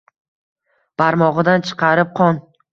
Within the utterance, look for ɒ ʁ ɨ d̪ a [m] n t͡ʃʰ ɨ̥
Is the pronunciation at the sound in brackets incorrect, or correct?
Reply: incorrect